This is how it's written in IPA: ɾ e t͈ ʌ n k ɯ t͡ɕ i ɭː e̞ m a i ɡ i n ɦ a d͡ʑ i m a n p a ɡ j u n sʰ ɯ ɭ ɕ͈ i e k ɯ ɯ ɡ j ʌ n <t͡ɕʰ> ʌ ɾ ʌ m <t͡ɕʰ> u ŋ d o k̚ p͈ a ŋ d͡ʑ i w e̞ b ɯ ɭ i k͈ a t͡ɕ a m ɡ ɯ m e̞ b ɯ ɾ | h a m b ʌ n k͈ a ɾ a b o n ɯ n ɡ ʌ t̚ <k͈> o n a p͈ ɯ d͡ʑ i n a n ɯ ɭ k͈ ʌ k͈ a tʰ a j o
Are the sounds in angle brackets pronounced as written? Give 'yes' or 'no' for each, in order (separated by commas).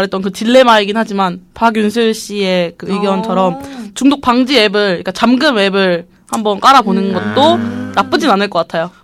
yes, no, no